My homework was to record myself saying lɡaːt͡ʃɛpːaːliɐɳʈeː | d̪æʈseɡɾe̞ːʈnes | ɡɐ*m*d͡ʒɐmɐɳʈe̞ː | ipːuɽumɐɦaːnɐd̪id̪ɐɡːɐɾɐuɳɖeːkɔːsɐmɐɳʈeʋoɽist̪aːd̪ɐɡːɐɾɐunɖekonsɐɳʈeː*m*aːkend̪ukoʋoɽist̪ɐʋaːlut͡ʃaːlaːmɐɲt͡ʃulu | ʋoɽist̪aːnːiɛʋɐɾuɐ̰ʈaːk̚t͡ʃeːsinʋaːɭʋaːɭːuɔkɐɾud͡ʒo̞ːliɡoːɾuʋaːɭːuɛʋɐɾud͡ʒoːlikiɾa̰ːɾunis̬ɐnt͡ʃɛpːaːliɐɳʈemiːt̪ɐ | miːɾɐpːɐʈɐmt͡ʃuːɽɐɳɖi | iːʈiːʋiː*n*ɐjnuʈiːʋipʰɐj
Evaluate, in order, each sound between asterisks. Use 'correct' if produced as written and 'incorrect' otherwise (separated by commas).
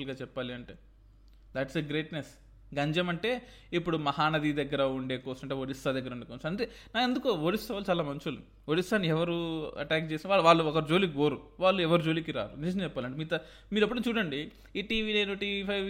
incorrect, incorrect, correct